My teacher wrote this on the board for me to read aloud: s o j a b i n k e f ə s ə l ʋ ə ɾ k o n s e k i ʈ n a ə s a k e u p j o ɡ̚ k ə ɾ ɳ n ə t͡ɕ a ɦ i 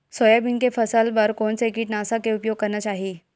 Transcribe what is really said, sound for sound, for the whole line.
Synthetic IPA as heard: s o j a b i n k e f ə s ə l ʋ ə ɾ k o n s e k i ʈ n a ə s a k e u p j o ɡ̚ k ə ɾ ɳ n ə t͡ɕ a ɦ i